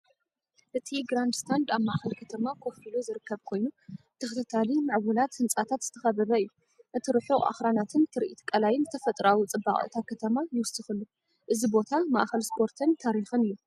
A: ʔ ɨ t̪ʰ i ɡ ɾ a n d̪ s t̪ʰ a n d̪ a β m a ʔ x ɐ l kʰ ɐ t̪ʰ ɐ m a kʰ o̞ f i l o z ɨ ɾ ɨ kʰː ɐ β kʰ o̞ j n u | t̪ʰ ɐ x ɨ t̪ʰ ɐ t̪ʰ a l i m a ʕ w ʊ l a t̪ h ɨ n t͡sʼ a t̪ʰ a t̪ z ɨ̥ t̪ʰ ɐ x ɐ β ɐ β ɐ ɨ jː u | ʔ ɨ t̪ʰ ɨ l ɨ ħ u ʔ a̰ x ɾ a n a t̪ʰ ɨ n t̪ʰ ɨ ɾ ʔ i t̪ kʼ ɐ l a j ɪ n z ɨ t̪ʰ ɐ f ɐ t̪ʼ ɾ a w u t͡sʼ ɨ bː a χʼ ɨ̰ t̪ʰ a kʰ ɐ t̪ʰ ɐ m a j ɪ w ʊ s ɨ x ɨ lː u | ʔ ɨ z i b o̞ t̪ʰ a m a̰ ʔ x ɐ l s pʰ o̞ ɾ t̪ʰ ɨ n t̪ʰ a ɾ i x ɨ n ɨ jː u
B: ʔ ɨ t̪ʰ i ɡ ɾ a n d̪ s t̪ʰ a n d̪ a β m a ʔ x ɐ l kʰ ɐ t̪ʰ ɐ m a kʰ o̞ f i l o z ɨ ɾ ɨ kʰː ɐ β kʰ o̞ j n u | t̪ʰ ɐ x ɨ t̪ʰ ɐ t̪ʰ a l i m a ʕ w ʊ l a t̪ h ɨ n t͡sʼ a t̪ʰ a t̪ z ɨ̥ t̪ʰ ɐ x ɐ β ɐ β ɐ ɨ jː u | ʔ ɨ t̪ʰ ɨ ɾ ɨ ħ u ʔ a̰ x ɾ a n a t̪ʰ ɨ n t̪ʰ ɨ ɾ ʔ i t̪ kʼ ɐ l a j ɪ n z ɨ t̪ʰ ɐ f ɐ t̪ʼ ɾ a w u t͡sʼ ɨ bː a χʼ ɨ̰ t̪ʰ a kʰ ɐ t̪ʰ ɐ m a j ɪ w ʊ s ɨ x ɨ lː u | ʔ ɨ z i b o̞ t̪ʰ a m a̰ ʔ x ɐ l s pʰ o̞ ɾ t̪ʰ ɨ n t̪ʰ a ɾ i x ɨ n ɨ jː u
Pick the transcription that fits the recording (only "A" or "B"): B